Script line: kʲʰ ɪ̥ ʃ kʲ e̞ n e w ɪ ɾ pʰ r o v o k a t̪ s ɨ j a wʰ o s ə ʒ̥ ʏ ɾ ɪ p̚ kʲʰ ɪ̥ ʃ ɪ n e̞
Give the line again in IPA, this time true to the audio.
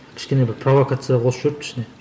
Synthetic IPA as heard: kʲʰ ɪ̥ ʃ kʲ e̞ n e b ɪ ɾ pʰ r o v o k a t̪ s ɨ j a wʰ o s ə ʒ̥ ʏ ɾ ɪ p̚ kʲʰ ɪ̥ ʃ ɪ n e̞

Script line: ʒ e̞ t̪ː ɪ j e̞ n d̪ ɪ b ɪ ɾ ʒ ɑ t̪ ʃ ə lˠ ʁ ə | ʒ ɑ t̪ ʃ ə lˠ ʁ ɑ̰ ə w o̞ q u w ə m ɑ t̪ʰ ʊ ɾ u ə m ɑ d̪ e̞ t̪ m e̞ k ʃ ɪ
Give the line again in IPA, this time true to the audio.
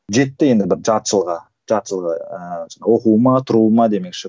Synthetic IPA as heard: ʒ e̞ t̪ː ɪ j e̞ n d̪ ɪ b ɪ ɾ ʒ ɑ t̪ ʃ ə lˠ ʁ ɑ | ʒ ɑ t̪ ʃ ə lˠ ʁ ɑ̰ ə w o̞ q u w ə m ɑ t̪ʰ ʊ ɾ u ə m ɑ d̪ e̞ m e̞ k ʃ ɪ

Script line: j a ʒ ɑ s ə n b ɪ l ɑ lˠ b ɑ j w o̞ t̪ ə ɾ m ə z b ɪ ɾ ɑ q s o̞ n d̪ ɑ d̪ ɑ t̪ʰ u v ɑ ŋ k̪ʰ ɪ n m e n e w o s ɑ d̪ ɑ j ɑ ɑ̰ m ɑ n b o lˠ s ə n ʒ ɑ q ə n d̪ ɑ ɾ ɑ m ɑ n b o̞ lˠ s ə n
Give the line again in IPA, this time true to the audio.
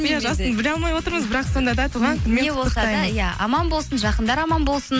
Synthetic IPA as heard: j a ʒ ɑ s ə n b ɪ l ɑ lˠ m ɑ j w o̞ t̪ ə ɾ m ə z b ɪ ɾ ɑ q s o̞ n d̪ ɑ d̪ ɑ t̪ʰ u ʁ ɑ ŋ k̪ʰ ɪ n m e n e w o s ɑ d̪ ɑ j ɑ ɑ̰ m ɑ n b o lˠ s ə n ʒ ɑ q ə n d̪ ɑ ɾ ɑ m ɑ n b o̞ lˠ s ə n

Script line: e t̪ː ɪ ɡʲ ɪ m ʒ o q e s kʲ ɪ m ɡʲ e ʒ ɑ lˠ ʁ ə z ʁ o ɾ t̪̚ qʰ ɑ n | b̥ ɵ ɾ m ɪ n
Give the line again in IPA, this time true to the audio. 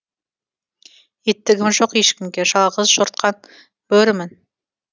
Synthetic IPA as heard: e t̪ː ɪ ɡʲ ɪ m ʒ o q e ʃ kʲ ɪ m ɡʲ e ʒ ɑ lˠ ʁ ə z ʒ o ɾ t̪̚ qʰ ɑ n | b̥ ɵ ɾ m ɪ n

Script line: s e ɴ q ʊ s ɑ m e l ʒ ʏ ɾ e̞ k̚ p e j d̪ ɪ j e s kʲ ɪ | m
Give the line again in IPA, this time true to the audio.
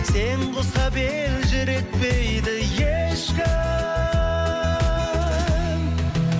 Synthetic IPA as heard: s e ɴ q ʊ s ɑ b e l ʒ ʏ ɾ e̞ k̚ p e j d̪ ɪ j e ʃ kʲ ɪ | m

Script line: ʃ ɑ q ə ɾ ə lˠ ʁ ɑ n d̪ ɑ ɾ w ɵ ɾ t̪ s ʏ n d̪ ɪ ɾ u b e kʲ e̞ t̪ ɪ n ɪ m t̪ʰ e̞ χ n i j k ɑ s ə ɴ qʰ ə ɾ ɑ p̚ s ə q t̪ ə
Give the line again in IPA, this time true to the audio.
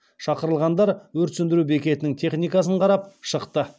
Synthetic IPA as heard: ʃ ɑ q ə ɾ ə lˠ ʁ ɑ n d̪ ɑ ɾ w ɵ ɾ t̪ s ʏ n d̪ ɪ ɾ u b e kʲ e̞ t̪ ɪ n ɪ ŋ t̪ʰ e̞ χ n i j k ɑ s ə ɴ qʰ ɑ ɾ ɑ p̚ ʃ ə q t̪ ə

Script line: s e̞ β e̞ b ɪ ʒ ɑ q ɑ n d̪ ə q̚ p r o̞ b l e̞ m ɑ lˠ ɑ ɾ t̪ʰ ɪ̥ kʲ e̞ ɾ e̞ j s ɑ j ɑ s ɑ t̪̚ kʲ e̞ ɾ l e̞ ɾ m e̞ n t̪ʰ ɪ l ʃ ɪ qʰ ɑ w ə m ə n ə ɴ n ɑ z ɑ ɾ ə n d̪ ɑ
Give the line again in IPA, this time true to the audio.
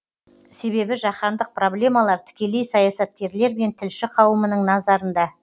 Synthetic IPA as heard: s e̞ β e̞ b ɪ ʒ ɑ q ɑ n d̪ ə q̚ p r o̞ b l e̞ m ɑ lˠ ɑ ɾ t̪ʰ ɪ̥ kʲ e̞ l e̞ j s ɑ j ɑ s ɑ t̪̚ kʲ e̞ ɾ l e̞ ɾ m e̞ n t̪ʰ ɪ l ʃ ɪ qʰ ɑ w ə m ə n ə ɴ n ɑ z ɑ ɾ ə n d̪ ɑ

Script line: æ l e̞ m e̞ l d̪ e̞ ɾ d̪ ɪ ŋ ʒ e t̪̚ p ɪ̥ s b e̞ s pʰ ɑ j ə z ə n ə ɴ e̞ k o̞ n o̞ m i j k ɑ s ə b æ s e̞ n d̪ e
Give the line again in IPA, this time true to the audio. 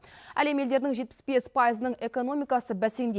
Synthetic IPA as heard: æ l e̞ m e̞ l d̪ e̞ ɾ d̪ ɪ ŋ ʒ e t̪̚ p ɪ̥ s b e̞ s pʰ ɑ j ə z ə n ə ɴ e̞ k o̞ n o̞ m i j k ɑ s ə b æ s e̞ n d̪ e

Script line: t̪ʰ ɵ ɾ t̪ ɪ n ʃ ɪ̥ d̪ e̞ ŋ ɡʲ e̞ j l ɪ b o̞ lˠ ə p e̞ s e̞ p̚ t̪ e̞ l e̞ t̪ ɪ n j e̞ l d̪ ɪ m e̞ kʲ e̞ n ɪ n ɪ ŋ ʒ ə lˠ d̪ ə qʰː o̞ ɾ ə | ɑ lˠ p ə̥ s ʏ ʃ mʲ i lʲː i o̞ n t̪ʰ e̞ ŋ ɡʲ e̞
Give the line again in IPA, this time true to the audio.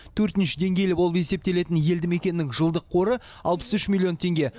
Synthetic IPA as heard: t̪ʰ ɵ ɾ t̪ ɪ n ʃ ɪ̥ d̪ e̞ ŋ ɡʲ e̞ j l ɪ b o̞ lˠ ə p e̞ s e̞ p̚ t̪ e̞ l e̞ t̪ ɪ n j e̞ l d̪ ɪ m e̞ kʲ e̞ n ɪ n ɪ ŋ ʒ ə lˠ d̪ ə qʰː o̞ ɾ ə | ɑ lˠ p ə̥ s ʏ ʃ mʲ i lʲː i o̞ n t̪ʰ e̞ ŋ ɡʲ e̞

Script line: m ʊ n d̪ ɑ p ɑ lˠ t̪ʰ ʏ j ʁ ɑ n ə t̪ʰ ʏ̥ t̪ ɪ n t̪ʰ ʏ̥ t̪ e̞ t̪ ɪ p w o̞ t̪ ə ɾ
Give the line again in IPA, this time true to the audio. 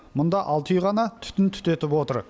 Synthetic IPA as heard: m ʊ n d̪ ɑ ʔ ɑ lˠ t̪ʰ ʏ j ʁ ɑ n ɑ t̪ʰ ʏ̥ t̪ ɪ n t̪ʰ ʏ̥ t̪ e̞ t̪ ɪ p w o̞ t̪ ə ɾ

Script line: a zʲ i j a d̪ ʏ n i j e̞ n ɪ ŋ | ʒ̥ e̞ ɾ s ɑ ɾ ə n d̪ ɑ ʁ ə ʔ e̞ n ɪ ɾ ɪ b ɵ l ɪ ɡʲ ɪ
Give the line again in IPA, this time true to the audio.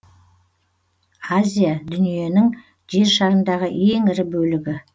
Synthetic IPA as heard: a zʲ i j a d̪ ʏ n i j e̞ n ɪ ŋ | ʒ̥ e̞ ɾ ʃ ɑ ɾ ə n d̪ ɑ ʁ ə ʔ e̞ ŋ ɪ ɾ ɪ b ɵ l ɪ ɡʲ ɪ

